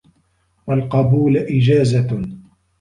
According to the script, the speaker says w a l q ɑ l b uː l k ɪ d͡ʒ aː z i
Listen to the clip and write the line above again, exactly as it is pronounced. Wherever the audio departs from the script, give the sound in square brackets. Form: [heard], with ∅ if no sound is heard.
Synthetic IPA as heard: w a l q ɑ [∅] b uː l [ʔ] ɪ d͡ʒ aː z [a]